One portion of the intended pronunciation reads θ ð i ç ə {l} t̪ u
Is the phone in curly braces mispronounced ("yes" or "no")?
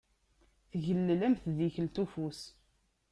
no